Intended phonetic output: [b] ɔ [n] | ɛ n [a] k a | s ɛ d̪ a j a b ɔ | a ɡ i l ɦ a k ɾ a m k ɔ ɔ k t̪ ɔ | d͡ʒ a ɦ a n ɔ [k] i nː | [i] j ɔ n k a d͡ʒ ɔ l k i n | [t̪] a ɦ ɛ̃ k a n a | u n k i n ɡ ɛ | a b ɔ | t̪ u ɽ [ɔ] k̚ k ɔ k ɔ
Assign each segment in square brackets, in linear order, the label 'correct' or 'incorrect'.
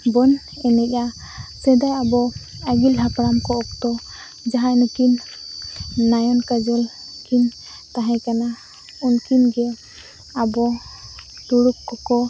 correct, correct, incorrect: ɛ, correct, incorrect: a, correct, incorrect: u

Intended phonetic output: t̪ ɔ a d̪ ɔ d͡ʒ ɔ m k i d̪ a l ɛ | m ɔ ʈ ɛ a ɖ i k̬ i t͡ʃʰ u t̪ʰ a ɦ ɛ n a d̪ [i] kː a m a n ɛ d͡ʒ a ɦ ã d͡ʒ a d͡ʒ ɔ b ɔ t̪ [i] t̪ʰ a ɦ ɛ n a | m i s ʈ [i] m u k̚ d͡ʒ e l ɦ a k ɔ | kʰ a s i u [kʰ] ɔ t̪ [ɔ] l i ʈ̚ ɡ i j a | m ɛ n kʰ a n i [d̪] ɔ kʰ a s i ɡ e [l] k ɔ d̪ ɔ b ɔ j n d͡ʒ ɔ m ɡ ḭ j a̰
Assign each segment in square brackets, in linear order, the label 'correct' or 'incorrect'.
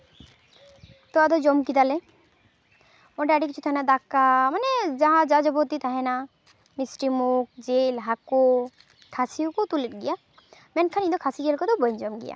incorrect: a, correct, correct, incorrect: k, incorrect: u, correct, correct

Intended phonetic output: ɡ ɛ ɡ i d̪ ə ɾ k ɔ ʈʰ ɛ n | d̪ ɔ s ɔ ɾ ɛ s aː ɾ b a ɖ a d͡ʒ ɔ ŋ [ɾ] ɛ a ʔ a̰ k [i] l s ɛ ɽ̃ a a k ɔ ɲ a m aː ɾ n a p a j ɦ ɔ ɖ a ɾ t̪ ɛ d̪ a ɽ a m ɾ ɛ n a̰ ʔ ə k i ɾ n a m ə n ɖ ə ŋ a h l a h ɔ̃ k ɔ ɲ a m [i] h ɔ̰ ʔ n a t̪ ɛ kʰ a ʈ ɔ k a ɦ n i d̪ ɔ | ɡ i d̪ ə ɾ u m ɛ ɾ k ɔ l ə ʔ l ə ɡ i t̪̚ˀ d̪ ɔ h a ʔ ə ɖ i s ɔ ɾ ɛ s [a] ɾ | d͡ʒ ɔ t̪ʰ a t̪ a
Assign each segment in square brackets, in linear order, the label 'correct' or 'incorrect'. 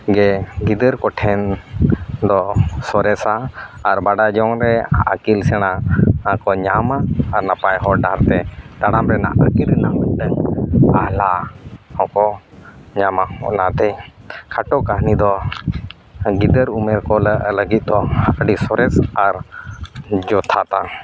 correct, correct, incorrect: a, correct

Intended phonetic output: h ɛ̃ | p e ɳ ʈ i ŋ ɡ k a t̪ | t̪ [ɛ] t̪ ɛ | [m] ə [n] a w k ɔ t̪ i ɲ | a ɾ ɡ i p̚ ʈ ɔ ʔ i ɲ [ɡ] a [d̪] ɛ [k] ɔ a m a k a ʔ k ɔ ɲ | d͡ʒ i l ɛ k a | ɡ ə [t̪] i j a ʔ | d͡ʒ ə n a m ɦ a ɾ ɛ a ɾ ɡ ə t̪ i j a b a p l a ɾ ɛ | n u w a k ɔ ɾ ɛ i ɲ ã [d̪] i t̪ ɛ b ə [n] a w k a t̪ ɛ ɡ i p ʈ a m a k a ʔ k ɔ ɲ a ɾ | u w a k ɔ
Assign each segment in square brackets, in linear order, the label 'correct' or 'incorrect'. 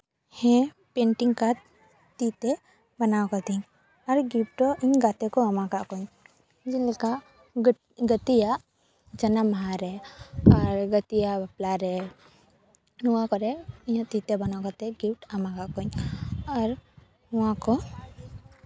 incorrect: i, incorrect: b, correct, correct, incorrect: t̪, correct, correct, incorrect: t̪, correct

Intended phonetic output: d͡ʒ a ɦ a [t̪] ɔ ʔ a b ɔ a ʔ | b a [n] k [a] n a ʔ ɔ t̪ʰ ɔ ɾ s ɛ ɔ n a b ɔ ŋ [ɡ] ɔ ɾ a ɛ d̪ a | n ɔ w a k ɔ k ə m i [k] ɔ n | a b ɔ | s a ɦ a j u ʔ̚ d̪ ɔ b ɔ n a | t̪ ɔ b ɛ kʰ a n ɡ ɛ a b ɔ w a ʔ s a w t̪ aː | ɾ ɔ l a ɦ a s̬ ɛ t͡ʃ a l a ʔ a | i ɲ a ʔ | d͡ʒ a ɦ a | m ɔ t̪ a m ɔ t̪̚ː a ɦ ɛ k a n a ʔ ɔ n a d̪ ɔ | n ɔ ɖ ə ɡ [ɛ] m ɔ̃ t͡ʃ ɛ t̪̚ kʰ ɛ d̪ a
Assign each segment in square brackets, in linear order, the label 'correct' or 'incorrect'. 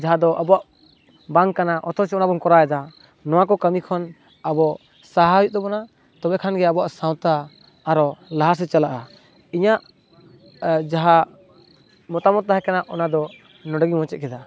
incorrect: d̪, incorrect: ŋ, correct, incorrect: k, incorrect: kʰ, incorrect: i

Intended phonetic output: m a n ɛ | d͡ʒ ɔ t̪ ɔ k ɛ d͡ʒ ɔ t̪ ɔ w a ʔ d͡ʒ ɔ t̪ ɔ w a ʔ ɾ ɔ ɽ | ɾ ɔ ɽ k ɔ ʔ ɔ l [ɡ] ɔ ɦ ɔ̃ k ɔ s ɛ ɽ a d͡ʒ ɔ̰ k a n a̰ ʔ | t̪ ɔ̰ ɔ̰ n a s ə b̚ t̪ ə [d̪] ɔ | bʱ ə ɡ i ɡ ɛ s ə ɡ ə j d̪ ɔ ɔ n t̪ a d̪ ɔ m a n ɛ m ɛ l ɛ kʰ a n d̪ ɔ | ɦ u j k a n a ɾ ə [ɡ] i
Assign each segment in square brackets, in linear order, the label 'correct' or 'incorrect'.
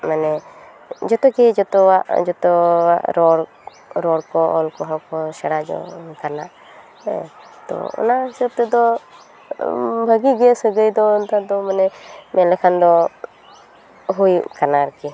incorrect: k, correct, incorrect: k

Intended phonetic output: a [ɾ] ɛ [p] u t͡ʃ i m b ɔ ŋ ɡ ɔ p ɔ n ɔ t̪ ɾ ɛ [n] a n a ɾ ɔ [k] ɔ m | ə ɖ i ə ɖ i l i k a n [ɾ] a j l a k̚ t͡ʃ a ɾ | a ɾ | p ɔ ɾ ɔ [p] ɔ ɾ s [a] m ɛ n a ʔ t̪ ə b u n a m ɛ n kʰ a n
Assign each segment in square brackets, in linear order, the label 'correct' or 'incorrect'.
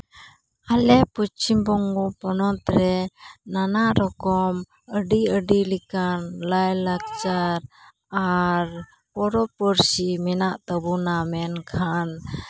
incorrect: l, correct, correct, correct, incorrect: l, correct, incorrect: i

